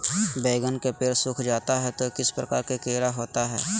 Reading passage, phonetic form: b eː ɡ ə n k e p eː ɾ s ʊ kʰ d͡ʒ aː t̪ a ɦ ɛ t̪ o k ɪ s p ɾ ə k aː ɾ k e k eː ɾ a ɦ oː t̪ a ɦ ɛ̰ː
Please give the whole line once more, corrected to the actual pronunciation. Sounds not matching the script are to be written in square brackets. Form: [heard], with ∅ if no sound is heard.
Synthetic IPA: b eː ɡ ə n k e p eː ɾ s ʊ kʰ d͡ʒ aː t̪ a ɦ ɛ t̪ o k ɪ s p ɾ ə k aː ɾ k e k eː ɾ a ɦ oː t̪ a ɦ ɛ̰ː